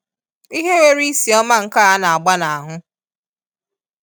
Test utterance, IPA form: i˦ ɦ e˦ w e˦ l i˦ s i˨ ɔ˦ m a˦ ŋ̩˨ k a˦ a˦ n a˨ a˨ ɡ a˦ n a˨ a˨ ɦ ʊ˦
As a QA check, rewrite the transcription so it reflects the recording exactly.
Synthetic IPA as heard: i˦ ɦ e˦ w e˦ ɾ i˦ s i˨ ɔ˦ m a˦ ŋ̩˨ k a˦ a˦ n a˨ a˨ ɡ͡b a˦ n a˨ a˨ ɦ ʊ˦